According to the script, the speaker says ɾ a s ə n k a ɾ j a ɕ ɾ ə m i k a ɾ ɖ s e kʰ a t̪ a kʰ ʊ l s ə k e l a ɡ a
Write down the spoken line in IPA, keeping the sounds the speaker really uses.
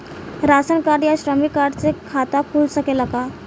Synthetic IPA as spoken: ɾ a s ə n k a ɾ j a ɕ ɾ ə m i k a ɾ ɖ t͡s e kʰ a t̪ a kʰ u l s ə k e l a k a